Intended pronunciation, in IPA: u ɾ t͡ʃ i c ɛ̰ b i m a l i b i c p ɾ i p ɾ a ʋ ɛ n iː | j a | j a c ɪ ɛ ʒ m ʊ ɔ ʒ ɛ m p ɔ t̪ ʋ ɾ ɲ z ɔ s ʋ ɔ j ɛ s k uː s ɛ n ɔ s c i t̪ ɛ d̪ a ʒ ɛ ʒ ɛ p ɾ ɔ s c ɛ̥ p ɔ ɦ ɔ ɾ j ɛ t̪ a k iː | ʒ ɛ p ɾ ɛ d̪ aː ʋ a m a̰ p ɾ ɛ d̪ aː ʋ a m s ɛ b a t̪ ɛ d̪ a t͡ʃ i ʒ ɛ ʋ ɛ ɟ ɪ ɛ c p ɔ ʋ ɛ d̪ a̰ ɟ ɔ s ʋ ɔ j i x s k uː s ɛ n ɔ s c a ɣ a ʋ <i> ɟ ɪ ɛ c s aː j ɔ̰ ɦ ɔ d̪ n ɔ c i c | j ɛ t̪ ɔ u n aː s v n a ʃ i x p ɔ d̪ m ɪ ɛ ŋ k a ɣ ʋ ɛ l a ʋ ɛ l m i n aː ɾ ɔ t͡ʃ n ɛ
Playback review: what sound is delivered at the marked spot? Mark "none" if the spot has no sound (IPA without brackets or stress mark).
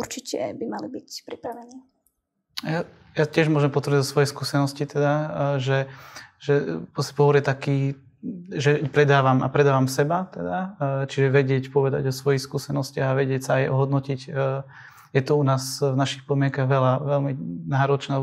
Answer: ɛ